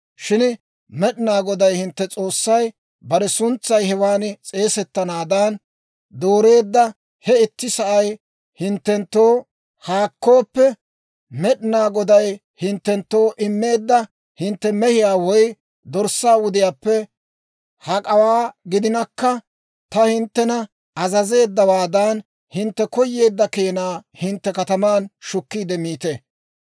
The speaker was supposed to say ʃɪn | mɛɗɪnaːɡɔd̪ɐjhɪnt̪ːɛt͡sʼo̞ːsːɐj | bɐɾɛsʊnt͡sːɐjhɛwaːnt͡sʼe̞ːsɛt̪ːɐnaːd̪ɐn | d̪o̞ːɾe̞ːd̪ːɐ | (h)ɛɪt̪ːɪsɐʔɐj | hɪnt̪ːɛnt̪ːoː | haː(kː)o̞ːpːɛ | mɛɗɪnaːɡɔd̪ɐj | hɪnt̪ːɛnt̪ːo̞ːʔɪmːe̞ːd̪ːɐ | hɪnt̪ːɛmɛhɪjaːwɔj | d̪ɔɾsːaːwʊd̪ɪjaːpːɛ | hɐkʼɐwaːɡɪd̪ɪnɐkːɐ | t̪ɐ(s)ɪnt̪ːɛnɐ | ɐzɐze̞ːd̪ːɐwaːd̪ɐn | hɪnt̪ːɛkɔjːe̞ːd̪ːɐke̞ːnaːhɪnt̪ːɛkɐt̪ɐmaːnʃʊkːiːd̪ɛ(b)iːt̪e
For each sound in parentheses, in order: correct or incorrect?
correct, correct, incorrect: h, incorrect: m

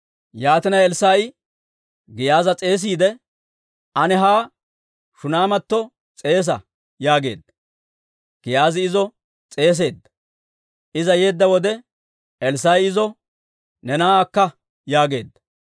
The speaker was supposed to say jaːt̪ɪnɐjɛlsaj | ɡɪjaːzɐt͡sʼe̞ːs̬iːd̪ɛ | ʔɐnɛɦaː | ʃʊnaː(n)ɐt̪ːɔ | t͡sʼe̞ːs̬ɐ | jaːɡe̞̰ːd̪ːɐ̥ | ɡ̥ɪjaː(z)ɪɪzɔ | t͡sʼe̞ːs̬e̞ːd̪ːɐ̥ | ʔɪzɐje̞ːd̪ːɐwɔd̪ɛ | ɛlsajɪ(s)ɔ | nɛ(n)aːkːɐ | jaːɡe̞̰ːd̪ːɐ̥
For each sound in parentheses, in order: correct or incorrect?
incorrect: m, correct, incorrect: z, correct

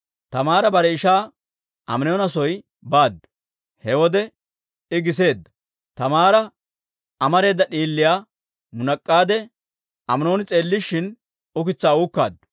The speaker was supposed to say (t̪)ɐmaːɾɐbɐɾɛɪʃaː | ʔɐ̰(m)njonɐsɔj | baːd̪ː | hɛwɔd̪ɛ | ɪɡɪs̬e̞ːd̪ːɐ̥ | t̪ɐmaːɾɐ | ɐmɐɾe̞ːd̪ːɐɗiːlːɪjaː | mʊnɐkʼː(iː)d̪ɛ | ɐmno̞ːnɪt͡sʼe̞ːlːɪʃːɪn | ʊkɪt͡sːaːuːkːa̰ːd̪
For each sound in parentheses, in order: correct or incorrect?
correct, correct, incorrect: aː

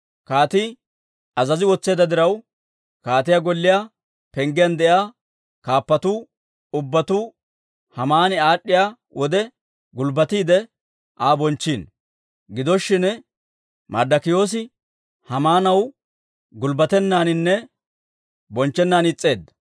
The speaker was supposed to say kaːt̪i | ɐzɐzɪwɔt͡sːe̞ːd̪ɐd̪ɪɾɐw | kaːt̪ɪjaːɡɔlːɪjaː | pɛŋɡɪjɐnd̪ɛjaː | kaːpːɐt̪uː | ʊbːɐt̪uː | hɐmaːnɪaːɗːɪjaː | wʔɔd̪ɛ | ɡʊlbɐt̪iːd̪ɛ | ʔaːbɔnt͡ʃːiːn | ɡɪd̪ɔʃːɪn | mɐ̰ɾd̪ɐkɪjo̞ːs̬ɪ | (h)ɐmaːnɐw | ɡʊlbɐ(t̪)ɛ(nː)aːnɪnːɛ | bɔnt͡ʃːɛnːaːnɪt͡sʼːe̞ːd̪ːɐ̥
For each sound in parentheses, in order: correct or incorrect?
correct, correct, correct

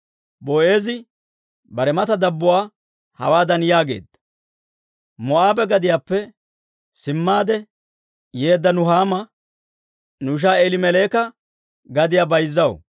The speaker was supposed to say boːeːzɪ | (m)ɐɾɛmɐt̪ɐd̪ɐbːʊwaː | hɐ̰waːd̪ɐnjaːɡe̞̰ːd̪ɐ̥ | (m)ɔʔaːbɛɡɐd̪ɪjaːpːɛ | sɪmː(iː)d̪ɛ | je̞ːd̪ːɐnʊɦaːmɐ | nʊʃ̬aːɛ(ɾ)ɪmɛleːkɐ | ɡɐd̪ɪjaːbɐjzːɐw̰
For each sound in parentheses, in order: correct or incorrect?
incorrect: b, correct, incorrect: aː, incorrect: l

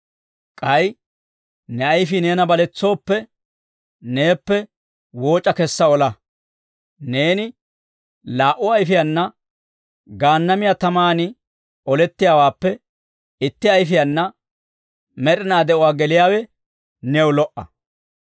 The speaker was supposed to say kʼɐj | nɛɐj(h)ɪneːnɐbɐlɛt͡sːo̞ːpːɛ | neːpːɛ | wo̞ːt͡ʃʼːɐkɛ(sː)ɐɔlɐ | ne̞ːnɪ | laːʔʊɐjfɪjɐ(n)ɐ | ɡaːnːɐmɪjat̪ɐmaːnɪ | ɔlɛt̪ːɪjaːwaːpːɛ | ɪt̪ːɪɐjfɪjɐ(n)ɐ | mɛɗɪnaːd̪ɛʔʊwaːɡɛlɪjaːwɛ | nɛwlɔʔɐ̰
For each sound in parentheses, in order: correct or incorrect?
incorrect: f, correct, incorrect: nː, incorrect: nː

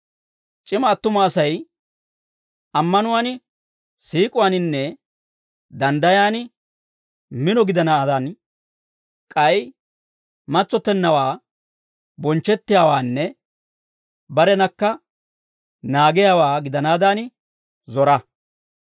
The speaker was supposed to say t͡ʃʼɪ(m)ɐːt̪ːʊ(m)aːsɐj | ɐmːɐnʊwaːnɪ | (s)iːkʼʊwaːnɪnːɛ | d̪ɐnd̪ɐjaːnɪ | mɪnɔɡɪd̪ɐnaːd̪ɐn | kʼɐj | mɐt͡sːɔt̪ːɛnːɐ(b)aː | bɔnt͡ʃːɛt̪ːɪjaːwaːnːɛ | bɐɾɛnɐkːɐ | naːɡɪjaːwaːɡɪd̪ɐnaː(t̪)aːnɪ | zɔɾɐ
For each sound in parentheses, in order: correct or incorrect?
correct, correct, correct, incorrect: w, incorrect: d̪

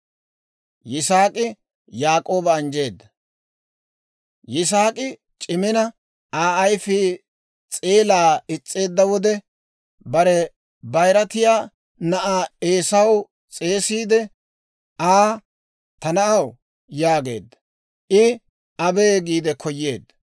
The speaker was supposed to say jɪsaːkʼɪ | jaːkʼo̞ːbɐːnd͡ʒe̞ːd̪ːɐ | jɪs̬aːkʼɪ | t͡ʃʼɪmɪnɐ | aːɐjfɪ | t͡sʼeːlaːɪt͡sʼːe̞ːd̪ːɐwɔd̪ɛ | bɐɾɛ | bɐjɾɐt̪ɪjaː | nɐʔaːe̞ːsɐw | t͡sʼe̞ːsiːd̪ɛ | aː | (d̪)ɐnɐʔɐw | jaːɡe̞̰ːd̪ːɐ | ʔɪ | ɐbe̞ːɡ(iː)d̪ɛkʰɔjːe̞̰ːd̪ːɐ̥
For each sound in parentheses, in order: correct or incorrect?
incorrect: t̪, correct

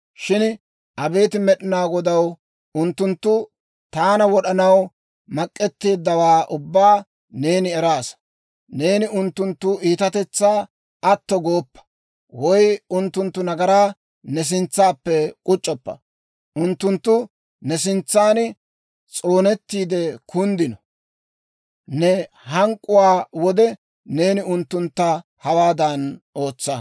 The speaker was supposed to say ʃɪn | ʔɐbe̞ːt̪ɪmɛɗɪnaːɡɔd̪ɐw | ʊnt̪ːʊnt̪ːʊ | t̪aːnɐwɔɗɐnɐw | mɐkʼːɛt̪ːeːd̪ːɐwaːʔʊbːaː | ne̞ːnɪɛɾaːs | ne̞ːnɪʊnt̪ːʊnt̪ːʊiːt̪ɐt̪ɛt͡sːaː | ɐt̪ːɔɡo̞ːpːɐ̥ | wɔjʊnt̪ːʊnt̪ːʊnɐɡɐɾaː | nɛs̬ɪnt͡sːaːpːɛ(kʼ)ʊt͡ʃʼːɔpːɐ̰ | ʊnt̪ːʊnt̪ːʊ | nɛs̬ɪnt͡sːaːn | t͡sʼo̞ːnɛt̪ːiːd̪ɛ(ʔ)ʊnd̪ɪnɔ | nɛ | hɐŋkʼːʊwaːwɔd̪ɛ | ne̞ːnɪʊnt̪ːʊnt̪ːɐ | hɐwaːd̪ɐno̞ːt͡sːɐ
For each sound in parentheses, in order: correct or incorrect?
correct, incorrect: k

